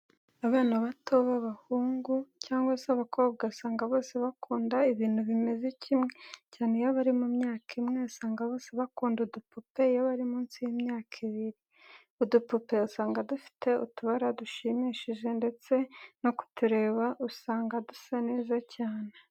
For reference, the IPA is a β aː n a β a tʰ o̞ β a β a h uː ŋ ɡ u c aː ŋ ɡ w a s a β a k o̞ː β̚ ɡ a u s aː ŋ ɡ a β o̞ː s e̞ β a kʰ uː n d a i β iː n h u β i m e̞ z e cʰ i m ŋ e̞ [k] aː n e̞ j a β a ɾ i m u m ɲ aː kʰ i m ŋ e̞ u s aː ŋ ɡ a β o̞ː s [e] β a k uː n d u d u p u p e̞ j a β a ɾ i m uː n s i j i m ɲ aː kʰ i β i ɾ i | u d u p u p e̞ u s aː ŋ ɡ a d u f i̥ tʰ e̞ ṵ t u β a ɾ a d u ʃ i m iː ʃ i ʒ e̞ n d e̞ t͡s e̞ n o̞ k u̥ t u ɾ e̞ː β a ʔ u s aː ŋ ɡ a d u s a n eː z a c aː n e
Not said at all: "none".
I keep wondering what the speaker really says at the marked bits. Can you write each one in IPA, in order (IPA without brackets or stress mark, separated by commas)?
c, e